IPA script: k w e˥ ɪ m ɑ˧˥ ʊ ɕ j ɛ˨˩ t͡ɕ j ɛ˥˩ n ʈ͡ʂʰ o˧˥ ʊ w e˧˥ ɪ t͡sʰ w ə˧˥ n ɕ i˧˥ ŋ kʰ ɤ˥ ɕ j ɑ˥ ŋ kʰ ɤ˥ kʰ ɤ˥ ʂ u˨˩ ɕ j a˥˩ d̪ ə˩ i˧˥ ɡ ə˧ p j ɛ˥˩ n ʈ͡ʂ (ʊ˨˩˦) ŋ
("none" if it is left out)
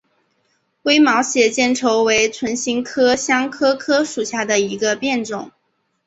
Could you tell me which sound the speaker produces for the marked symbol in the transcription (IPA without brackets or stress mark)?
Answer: ʊ˨˩˦